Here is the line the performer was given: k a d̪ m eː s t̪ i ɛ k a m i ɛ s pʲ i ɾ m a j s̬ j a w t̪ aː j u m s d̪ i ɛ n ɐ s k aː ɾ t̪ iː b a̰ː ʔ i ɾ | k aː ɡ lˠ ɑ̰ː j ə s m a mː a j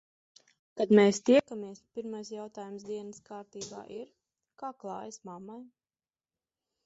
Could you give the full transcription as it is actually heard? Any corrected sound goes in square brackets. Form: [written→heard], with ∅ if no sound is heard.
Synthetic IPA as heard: k a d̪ m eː s t̪ i ɛ k a m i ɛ s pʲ i ɾ m a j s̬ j a w t̪ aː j u m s d̪ i ɛ n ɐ s k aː ɾ t̪ iː b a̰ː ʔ i ɾ | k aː [ɡ→k] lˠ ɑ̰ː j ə s m a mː a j